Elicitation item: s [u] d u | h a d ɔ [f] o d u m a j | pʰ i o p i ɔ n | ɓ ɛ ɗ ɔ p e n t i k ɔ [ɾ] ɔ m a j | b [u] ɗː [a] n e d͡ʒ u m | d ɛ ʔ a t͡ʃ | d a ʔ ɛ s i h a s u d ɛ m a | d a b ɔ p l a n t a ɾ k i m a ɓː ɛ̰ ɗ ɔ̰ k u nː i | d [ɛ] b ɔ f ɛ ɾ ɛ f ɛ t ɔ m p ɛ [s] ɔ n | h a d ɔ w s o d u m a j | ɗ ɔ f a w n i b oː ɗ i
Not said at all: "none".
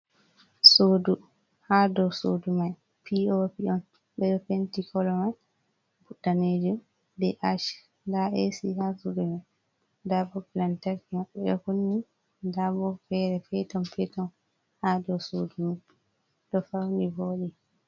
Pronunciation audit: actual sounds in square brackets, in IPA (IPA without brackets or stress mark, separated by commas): o, s, l, u, a, a, t